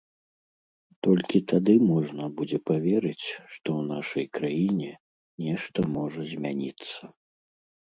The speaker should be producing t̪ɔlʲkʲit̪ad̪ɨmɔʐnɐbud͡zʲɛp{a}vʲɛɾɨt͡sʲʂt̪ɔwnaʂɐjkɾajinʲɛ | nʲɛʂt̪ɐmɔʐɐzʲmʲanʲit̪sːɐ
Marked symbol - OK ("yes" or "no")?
yes